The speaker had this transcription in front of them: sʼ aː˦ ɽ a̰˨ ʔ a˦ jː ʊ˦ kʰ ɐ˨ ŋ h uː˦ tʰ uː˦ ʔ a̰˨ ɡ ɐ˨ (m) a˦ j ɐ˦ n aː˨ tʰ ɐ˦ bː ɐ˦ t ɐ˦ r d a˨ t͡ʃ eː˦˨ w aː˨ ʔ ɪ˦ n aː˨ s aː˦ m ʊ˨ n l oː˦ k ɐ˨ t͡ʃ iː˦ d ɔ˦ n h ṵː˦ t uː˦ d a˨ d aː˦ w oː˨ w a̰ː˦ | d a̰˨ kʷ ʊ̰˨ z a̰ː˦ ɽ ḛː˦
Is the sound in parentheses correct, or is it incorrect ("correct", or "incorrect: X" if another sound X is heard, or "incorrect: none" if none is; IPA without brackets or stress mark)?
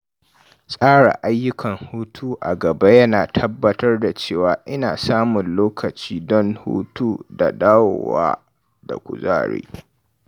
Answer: incorrect: b